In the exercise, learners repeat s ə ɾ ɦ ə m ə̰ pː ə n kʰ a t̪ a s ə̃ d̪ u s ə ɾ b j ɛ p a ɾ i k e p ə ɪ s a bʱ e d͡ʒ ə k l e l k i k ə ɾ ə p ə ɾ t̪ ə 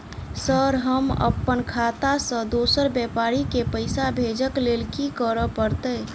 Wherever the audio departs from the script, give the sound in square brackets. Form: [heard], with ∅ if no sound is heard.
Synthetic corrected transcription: s ə ɾ ɦ ə m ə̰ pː ə n kʰ a t̪ a s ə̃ d̪ [o] s ə ɾ b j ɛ p a ɾ i k e p ə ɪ s a bʱ e d͡ʒ ə k l e l k i k ə ɾ ə p ə ɾ t̪ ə